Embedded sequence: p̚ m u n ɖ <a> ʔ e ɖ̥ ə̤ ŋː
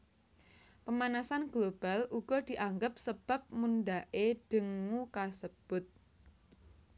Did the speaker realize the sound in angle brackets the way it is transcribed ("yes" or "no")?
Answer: yes